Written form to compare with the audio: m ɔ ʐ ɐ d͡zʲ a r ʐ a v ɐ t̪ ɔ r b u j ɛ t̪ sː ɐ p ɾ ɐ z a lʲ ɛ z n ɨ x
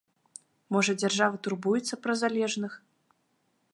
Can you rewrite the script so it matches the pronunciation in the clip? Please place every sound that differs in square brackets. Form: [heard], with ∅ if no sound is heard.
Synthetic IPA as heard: m ɔ ʐ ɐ d͡zʲ a r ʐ a v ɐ t̪ [u] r b u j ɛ t̪ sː ɐ p ɾ ɐ z a lʲ ɛ [ʐ] n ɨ x